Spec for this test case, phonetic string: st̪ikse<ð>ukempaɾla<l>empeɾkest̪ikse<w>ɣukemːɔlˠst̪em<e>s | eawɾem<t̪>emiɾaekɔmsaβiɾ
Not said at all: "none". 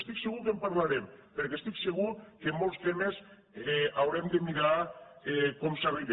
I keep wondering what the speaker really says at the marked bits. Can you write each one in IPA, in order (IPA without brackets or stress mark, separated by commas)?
ɣ, ɾ, none, e, d̪